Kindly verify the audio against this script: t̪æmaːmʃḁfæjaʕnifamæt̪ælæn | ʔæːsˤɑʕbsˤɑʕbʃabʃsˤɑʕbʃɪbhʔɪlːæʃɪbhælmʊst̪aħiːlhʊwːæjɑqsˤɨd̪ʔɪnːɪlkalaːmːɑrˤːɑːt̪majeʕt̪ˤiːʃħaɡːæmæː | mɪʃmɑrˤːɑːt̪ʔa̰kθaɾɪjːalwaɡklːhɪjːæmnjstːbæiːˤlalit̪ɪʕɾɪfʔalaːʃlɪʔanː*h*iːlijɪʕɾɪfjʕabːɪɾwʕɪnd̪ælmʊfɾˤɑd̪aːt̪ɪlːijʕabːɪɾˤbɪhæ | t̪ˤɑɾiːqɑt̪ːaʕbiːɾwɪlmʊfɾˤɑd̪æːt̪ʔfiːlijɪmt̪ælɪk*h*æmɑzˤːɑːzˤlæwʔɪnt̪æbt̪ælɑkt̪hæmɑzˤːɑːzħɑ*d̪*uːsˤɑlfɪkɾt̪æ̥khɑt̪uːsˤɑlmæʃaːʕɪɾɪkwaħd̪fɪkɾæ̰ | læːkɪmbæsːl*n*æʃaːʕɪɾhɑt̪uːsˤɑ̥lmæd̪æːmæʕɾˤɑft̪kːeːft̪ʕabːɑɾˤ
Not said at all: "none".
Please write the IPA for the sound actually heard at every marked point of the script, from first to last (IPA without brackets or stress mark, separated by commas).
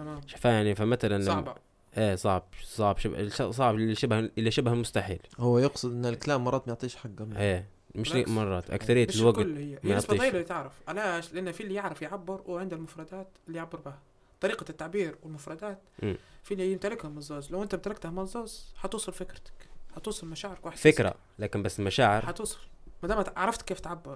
f, h, t̪, m